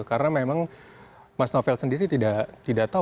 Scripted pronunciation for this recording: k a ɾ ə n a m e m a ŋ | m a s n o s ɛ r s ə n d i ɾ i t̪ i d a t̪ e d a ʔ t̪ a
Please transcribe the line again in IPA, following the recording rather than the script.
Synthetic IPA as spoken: k a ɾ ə n a m e m a ŋ | m a s n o f ɛ l s ə n d i ɾ i t̪ i d a t̪ i d a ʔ t̪ a